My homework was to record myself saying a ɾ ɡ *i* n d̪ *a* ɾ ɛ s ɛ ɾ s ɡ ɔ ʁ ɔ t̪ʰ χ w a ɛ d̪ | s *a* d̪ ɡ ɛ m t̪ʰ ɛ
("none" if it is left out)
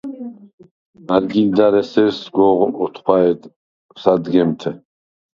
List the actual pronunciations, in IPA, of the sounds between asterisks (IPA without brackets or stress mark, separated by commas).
i, a, a